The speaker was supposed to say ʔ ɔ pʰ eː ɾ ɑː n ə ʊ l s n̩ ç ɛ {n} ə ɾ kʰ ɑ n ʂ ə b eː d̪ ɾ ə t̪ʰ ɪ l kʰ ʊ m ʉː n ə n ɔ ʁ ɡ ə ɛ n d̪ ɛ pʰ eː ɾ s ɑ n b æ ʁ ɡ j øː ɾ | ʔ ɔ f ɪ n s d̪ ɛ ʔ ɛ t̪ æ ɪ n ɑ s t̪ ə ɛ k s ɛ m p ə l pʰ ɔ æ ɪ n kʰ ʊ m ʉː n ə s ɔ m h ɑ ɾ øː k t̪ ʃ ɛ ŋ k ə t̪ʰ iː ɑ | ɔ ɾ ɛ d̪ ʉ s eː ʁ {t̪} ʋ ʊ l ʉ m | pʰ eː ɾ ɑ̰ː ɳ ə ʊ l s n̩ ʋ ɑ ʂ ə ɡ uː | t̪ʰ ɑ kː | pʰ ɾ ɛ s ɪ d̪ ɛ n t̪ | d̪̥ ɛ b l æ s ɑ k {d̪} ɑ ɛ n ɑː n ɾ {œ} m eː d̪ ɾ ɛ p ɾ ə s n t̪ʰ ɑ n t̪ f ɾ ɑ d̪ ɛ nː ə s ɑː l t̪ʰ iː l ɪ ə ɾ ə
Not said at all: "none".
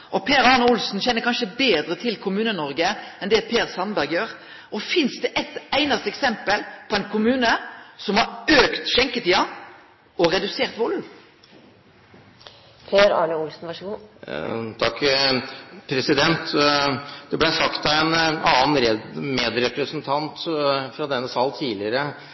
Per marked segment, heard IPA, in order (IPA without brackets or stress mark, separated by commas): nː, t̪, t̪, ɛ